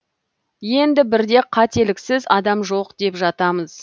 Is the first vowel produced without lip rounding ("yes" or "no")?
yes